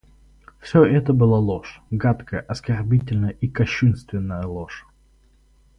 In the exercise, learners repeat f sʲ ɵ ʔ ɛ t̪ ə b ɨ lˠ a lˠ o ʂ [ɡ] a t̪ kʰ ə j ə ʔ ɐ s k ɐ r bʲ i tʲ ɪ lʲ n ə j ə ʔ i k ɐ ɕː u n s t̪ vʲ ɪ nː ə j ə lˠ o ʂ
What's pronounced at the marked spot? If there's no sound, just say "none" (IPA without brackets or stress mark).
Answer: ɡ